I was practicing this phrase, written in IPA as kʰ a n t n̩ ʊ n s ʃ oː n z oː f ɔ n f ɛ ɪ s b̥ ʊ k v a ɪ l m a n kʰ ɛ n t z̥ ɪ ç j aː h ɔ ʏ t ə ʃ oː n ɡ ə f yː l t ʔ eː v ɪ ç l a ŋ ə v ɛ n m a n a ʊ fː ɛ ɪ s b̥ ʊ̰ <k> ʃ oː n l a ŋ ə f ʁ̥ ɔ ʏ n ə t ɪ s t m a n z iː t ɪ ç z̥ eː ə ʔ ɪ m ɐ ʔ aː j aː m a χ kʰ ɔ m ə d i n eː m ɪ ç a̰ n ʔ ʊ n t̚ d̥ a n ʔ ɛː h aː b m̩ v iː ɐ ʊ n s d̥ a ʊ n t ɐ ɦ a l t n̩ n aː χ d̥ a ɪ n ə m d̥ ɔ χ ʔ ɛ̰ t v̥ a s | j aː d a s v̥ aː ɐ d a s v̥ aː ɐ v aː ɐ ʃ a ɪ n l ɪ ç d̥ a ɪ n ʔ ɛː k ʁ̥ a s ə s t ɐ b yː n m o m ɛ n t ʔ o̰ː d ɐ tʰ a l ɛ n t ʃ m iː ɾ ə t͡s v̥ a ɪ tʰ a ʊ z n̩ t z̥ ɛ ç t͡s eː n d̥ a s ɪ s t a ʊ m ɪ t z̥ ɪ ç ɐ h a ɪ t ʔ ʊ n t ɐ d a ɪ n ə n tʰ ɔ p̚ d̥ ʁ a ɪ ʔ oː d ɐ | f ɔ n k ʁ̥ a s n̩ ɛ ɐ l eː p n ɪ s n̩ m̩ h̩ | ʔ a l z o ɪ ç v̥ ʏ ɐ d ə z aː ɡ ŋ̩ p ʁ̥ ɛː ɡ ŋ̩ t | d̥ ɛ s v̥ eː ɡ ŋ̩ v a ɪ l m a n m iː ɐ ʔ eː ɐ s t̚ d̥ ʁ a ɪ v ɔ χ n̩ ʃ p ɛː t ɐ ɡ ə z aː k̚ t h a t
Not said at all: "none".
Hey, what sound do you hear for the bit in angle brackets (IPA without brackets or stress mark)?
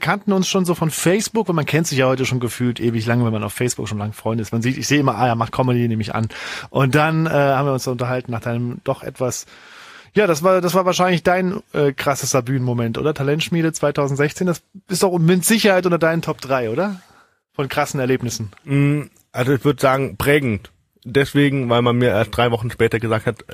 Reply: k